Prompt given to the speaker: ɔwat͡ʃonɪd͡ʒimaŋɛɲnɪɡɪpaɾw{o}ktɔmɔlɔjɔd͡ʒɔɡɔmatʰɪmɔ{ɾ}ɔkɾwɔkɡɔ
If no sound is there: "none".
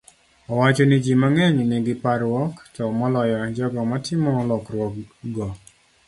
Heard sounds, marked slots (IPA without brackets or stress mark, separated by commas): ɔ, l